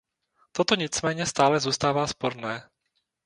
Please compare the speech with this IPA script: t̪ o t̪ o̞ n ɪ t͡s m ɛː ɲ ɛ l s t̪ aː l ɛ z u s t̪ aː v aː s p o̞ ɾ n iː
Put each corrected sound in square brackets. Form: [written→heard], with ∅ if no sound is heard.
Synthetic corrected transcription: t̪ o t̪ o̞ [n→ɲ] ɪ t͡s m ɛː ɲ ɛ [l→∅] s t̪ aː l ɛ z [u→uː] s t̪ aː v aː s p o̞ ɾ n [iː→ɛː]